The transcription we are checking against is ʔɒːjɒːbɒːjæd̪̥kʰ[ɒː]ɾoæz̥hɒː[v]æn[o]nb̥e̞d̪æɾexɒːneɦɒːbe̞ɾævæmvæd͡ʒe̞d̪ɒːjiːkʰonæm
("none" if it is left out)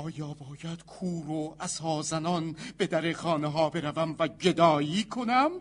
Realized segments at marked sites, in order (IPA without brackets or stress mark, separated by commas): uː, z, ɒ